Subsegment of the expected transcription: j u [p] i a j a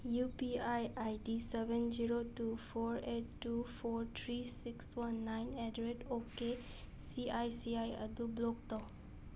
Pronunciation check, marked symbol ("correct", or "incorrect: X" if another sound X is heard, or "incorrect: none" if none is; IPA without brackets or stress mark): correct